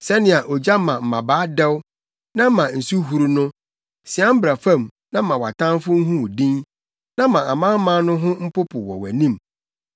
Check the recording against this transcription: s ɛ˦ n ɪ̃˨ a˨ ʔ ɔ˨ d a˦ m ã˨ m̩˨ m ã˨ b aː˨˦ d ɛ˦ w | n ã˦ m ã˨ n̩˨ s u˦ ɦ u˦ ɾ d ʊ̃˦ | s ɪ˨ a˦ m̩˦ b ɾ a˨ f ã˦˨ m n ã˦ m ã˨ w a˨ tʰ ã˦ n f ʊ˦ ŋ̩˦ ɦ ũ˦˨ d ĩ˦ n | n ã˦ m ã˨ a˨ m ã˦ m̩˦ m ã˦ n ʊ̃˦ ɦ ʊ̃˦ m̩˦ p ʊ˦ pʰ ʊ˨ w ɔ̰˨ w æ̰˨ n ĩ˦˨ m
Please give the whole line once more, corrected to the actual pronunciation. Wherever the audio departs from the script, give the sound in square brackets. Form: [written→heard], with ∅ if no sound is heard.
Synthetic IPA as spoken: s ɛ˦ n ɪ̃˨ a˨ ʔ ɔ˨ [d→d͡ʑ] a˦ m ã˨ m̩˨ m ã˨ b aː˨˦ d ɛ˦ w | n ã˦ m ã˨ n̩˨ s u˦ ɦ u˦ ɾ [d→n] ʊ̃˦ | s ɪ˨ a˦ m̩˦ b ɾ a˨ f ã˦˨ m n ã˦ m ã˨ w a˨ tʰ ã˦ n f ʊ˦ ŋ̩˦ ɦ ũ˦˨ d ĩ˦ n | n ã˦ m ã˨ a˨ m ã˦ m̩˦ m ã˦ n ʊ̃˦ ɦ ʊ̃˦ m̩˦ p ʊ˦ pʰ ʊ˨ w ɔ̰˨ w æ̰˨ n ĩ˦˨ m